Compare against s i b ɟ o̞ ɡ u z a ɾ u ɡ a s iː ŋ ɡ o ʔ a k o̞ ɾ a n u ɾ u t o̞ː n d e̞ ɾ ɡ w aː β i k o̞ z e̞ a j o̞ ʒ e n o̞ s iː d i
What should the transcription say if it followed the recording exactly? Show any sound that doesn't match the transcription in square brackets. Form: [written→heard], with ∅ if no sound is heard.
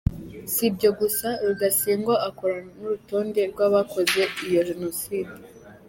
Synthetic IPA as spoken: s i b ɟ o̞ ɡ u [z→s] a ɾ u ɡ a s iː ŋ ɡ o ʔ a k o̞ ɾ a n u ɾ u t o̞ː n d e̞ ɾ ɡ w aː β [i→a] k o̞ z e̞ [a→i] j o̞ ʒ e n o̞ s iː d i

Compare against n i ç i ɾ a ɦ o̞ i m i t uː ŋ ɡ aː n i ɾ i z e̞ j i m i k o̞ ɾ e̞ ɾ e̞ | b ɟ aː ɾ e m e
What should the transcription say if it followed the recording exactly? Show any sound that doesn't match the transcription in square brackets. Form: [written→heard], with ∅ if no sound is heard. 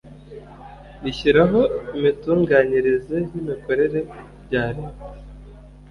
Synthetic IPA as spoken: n i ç i ɾ a ɦ o̞ i m i t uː ŋ ɡ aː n i ɾ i z e̞ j i m i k o̞ ɾ e̞ ɾ e̞ | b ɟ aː ɾ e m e

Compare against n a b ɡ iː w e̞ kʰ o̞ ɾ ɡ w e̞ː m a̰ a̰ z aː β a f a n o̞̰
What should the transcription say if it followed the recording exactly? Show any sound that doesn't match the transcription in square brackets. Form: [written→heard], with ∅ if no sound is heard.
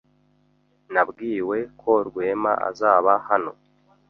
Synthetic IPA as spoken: n a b ɡ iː w e̞ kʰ o̞ ɾ ɡ w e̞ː m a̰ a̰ z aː β a [f→h] a n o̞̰

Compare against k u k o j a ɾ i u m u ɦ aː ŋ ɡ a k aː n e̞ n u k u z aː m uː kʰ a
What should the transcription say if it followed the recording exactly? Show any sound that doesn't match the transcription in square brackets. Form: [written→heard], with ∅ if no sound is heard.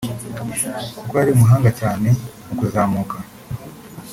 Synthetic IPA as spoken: k u k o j a ɾ i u m u ɦ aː ŋ ɡ a [k→c] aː n e̞ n u k u z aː m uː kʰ a

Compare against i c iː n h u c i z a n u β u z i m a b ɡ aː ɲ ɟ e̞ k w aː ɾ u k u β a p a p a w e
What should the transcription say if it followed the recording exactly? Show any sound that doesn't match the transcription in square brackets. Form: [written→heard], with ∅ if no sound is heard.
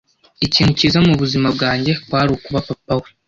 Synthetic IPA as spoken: i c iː n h u c i z a [n→m] u β u z i m a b ɡ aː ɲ ɟ e̞ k w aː ɾ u k u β a p a p a w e

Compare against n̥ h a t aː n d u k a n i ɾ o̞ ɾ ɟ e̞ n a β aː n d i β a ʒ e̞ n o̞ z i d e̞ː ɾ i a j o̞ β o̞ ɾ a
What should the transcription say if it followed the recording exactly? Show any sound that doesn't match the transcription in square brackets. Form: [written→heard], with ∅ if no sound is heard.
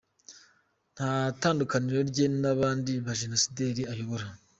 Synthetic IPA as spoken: n̥ h a t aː n d u k a n i ɾ o̞ ɾ ɟ e̞ n a β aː n d i β a ʒ e̞ n o̞ [z→s] i d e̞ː ɾ i a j o̞ β o̞ ɾ a

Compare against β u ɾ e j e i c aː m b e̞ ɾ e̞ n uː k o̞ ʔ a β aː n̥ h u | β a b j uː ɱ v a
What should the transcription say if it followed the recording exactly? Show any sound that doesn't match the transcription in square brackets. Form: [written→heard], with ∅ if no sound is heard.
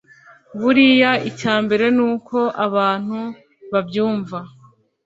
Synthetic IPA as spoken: β u ɾ [e→i] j [e→a] i c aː m b e̞ ɾ e̞ n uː k o̞ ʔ a β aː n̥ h u | β a b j uː ɱ v a

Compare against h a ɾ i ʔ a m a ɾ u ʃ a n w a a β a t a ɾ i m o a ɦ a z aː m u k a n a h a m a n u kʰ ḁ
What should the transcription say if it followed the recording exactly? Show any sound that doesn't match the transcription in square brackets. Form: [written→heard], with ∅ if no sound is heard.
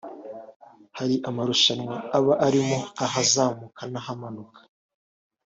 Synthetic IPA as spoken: h a ɾ i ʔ a m a ɾ u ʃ a n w a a β a [t→ʔ] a ɾ i m o a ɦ a z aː m u k a n a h a m a n u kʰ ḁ

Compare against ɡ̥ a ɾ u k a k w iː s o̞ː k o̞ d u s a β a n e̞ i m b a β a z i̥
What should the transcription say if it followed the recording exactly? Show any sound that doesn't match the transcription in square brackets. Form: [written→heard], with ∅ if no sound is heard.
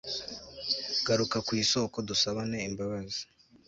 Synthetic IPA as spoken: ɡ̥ a ɾ u k a k w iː s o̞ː k o̞ d u s a β a n e̞ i m b a β a z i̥

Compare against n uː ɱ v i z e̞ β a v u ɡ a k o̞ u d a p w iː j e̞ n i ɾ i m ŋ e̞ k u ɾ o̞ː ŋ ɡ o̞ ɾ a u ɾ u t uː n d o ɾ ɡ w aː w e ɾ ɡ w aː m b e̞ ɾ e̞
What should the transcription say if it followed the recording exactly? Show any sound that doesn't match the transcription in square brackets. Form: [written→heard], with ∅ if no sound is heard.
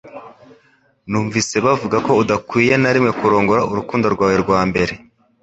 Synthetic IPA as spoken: n uː ɱ v i [z→s] e̞ β a v u ɡ a k o̞ u d a [p→k] w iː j e̞ n [i→a] ɾ i m ŋ e̞ k u ɾ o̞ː ŋ ɡ o̞ ɾ a u ɾ u [t→k] uː n d o ɾ ɡ w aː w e ɾ ɡ w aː m b e̞ ɾ e̞

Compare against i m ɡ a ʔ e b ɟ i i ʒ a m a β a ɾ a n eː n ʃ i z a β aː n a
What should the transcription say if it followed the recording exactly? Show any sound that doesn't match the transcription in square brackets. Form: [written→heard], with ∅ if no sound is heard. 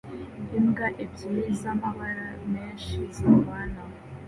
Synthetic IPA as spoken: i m ɡ a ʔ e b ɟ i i [ʒ→z] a m a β a ɾ a [n→m] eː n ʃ i z a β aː n a

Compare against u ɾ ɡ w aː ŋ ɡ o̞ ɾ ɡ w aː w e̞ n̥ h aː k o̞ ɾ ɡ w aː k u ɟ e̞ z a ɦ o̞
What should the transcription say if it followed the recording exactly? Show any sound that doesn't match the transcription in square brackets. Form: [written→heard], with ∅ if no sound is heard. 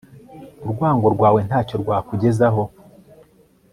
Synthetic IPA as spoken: u ɾ ɡ w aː ŋ ɡ o̞ ɾ ɡ w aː w e̞ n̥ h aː [k→c] o̞ ɾ ɡ w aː k u ɟ e̞ z a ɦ o̞

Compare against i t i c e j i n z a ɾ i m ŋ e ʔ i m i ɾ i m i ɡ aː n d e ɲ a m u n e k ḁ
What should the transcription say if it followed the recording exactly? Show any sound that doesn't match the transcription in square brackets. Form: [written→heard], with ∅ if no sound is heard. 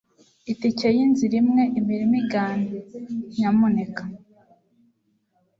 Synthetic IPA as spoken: i t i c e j i n z [a→i] ɾ i m ŋ e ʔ i m i ɾ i m i ɡ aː n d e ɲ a m u n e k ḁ

